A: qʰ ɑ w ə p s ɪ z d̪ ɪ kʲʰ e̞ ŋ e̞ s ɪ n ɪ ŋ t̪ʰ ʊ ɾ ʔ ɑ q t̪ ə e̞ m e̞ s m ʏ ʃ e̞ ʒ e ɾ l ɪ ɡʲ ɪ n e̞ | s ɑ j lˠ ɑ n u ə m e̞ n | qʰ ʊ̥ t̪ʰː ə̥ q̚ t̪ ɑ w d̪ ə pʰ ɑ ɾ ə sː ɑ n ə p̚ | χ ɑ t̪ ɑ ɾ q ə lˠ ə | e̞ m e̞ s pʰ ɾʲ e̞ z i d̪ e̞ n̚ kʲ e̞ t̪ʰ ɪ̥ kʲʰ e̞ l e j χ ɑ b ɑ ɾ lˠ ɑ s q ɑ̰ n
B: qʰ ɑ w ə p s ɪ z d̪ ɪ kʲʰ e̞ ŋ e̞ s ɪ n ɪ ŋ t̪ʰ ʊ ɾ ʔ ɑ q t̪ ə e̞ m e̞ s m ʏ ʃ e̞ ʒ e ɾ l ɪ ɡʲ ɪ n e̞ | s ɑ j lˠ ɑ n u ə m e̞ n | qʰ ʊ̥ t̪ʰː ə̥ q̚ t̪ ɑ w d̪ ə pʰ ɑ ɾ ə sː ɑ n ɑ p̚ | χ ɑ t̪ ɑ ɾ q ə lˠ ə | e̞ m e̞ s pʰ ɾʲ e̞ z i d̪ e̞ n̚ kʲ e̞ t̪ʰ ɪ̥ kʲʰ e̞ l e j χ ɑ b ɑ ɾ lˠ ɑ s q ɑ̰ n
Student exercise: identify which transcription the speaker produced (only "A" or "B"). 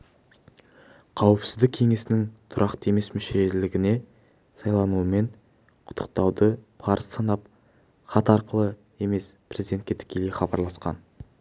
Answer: B